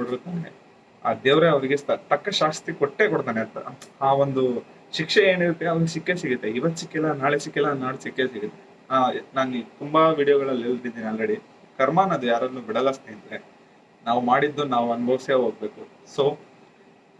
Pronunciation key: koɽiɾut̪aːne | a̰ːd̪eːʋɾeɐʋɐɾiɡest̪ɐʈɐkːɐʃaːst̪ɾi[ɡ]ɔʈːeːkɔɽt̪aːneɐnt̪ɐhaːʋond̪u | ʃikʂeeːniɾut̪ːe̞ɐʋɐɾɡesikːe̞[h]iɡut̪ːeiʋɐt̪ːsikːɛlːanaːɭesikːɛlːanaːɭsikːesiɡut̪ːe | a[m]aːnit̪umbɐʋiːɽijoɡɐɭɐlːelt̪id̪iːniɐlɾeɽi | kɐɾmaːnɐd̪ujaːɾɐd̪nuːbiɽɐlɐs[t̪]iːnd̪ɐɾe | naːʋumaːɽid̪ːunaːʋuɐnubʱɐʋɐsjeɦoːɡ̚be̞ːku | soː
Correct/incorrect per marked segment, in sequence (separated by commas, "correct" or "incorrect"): incorrect, incorrect, incorrect, correct